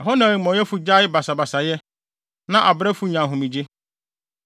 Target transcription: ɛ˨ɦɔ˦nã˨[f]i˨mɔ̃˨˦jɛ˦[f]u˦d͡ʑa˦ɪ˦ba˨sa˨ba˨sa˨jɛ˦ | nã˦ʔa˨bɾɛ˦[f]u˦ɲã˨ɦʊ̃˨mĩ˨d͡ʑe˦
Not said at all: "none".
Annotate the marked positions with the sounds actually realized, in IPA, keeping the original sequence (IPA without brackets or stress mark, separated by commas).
none, f, f